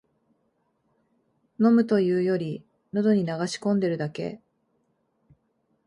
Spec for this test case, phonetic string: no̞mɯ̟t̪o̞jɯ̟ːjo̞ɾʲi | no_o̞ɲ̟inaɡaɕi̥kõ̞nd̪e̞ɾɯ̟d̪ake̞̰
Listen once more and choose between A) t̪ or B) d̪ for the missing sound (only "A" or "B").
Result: B